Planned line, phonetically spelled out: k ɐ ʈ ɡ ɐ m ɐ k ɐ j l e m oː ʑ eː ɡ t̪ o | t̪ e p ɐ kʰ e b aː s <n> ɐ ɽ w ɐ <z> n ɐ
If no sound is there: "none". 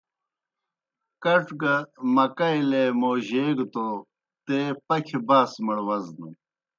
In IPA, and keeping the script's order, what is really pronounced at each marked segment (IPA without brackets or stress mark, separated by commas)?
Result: m, z